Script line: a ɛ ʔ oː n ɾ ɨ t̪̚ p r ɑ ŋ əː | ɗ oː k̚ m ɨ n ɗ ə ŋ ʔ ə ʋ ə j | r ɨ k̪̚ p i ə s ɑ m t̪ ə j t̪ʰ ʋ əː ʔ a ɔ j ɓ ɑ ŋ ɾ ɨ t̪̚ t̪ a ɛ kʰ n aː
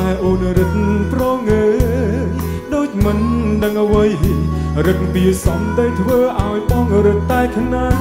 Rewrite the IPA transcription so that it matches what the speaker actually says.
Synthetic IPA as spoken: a ɛ ʔ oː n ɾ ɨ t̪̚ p r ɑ ŋ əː | ɗ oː c̚ m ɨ n ɗ ə ŋ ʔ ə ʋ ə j | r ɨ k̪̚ p i ə s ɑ m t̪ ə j t̪ʰ ʋ əː ʔ a ɔ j ɓ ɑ ŋ ɾ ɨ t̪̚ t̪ a ɛ kʰ n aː